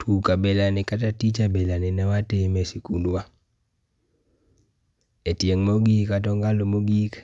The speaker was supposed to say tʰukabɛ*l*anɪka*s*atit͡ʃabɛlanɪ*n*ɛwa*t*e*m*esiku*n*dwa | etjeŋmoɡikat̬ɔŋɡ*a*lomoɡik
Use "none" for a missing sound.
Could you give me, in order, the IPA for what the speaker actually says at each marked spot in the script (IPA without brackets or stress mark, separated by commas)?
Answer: l, t, n, t, m, n, a